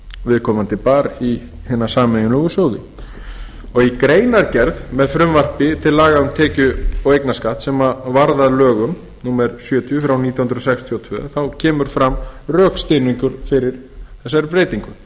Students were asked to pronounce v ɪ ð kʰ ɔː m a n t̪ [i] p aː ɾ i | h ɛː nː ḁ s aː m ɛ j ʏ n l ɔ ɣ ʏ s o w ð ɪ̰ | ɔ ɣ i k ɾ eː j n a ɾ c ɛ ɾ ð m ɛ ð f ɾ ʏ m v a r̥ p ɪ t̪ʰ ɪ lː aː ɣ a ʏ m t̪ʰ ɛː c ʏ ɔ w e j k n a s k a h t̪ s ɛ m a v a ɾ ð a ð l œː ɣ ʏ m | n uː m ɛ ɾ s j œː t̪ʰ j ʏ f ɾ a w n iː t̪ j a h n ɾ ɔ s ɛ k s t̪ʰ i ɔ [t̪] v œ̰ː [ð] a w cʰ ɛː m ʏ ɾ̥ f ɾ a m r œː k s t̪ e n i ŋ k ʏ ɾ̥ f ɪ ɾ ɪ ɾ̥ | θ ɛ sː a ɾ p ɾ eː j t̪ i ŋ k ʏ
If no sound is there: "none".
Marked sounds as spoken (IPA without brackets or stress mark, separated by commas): ɪ, t̪ʰ, θ